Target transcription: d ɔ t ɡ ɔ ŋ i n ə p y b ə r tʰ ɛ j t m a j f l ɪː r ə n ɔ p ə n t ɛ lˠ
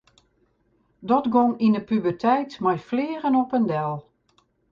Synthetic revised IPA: d ɔ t ɡ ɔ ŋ i n ə p y b ə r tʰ ɛ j t m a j f l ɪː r ə n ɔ p ə n d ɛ lˠ